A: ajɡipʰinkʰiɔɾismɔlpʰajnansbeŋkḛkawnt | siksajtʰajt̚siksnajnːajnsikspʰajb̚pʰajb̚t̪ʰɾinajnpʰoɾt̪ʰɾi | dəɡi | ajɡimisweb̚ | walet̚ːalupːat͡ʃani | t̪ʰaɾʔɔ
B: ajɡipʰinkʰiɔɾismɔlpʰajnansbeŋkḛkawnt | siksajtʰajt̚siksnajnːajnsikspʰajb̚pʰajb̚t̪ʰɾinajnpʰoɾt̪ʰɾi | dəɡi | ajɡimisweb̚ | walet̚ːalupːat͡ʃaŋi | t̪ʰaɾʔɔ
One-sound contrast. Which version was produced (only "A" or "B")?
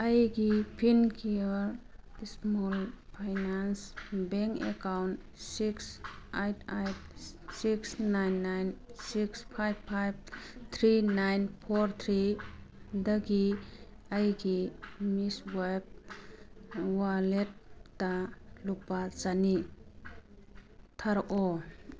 A